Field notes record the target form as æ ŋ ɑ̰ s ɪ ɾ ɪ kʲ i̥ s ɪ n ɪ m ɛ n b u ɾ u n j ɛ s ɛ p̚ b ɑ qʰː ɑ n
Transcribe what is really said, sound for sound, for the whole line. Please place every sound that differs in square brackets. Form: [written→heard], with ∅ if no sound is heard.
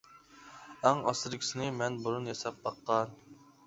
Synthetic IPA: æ ŋ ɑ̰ s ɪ ɾ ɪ kʲ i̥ s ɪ n ɪ m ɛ n b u ɾ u n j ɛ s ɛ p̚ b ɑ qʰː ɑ n